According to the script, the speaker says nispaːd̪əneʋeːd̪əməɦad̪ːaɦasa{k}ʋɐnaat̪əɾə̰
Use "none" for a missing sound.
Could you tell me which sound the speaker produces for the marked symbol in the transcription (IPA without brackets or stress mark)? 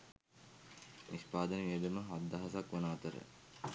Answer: k